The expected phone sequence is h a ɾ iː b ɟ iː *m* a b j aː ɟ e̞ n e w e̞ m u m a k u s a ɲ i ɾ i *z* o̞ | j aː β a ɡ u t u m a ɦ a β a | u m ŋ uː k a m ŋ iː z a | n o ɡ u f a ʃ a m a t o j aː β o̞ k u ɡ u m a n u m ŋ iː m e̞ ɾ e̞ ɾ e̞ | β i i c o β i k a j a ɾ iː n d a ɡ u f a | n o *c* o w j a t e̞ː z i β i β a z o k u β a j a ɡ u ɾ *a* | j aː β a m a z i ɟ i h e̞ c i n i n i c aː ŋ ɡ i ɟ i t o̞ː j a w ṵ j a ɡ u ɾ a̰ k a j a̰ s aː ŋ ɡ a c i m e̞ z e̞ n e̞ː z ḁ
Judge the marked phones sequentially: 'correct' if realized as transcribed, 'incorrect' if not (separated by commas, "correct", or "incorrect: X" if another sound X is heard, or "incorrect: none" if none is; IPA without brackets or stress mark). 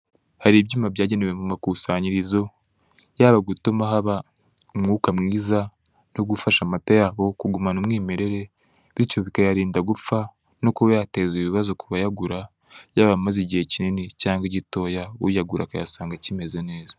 correct, correct, incorrect: k, correct